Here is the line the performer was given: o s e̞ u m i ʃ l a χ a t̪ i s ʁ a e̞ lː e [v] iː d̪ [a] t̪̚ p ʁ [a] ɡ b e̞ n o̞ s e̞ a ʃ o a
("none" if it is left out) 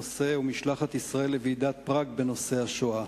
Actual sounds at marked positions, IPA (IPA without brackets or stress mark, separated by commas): v, a, a